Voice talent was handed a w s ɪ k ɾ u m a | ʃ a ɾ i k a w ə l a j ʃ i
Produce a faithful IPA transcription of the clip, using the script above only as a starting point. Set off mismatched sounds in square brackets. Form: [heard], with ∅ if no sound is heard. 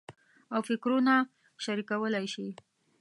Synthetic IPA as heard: a w [f] ɪ k ɾ u [n] a | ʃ a ɾ i k a w ə l a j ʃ i

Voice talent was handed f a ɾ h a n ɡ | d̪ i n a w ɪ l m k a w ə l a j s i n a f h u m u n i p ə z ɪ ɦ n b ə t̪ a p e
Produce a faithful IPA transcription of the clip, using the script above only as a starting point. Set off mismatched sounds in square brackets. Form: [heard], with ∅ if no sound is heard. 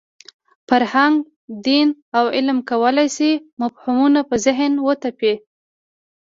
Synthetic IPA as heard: f a ɾ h a [ŋ] ɡ | d̪ i n a w ɪ l m k a w ə l a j s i [m] a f h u m u n [a] p ə z ɪ ɦ n [w] ə t̪ a p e

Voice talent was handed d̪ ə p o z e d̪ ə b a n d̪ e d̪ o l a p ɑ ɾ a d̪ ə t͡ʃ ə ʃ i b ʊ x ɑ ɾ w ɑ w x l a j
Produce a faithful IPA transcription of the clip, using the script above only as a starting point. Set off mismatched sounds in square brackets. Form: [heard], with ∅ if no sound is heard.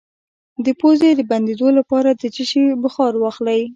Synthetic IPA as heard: d̪ ə p o z e d̪ ə b a n d̪ e d̪ o l a p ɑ ɾ a d̪ ə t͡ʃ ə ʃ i b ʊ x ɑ ɾ w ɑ [∅] x l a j

